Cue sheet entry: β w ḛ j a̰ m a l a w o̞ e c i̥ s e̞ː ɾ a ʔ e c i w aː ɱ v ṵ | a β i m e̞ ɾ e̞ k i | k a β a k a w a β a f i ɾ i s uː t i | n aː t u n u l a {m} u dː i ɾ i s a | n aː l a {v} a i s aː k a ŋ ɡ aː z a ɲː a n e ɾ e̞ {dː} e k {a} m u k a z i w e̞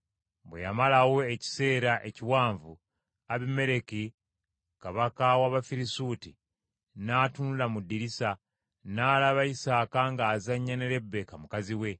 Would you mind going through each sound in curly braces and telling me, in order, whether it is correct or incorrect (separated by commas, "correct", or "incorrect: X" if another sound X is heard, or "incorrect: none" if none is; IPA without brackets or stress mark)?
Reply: correct, incorrect: β, incorrect: bː, correct